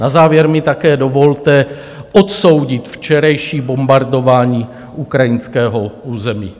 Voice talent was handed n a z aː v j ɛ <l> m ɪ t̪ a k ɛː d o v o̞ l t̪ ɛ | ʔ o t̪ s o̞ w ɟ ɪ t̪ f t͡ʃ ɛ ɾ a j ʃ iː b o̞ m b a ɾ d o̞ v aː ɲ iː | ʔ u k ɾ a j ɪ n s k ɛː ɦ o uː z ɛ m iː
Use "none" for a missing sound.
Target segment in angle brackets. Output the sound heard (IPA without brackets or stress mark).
ɾ